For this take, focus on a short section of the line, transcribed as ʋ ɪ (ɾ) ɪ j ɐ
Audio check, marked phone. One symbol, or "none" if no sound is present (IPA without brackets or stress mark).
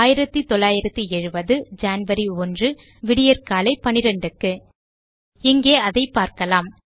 ɽ